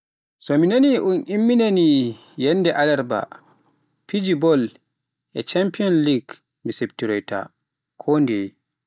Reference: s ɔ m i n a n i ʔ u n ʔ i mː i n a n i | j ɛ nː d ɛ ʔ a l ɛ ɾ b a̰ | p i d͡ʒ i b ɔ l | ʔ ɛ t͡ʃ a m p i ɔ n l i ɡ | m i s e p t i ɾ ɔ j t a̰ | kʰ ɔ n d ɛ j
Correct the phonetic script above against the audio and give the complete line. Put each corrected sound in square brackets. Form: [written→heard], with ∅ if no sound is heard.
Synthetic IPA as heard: s ɔ m i n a n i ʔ u n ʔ i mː i n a n i | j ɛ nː d ɛ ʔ a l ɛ ɾ b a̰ | p i d͡ʒ i b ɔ l | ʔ ɛ t͡ʃ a m p i ɔ n l i ɡ | m i s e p t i ɾ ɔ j t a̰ | kʰ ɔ n d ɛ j